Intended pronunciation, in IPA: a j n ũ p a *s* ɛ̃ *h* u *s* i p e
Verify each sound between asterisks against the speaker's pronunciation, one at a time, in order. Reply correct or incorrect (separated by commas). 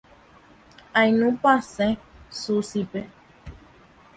correct, incorrect, correct